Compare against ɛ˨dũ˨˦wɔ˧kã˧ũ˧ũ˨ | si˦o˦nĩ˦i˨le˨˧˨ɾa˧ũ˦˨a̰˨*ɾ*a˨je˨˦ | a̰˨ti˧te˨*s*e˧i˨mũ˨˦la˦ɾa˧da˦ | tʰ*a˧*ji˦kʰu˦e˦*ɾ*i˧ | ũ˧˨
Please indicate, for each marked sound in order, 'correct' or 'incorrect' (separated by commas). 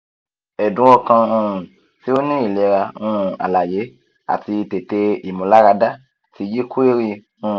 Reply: incorrect, incorrect, incorrect, correct